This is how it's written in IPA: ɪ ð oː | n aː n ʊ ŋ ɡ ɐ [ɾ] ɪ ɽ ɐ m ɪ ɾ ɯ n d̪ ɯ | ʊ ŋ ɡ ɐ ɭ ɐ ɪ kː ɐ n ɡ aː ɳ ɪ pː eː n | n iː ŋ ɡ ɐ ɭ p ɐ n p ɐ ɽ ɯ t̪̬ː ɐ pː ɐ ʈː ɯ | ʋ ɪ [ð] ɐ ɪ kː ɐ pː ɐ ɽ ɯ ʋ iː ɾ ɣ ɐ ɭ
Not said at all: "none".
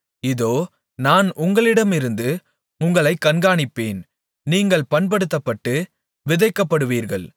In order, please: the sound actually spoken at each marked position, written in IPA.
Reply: ɭ, ð

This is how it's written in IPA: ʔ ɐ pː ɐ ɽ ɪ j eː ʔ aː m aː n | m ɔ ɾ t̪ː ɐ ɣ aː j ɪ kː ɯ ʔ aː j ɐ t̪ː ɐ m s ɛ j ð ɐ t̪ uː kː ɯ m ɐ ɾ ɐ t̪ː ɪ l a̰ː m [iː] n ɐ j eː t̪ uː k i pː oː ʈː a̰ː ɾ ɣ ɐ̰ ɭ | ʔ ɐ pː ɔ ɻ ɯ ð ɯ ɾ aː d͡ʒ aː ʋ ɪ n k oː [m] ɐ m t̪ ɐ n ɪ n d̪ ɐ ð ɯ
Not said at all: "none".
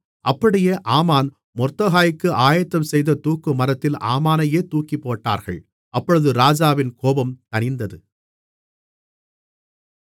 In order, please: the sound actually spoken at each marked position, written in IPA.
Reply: aː, b

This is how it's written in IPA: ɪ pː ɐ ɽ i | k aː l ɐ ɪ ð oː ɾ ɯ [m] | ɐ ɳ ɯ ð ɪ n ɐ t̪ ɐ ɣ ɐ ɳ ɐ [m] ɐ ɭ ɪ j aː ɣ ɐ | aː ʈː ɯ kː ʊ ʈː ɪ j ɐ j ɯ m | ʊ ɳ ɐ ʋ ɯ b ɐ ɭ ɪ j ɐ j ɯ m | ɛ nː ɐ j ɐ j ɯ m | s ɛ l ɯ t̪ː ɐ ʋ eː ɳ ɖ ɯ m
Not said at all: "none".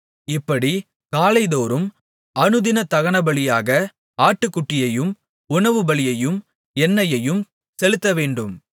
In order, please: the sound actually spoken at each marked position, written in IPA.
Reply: m, b

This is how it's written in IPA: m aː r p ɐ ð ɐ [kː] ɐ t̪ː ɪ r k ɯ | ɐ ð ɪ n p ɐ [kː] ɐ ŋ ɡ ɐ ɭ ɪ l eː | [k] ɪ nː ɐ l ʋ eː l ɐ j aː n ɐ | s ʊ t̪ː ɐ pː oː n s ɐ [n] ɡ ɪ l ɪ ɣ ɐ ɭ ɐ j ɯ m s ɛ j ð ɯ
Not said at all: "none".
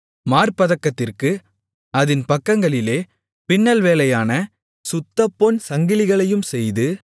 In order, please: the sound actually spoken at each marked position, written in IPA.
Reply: kː, kː, p, ŋ

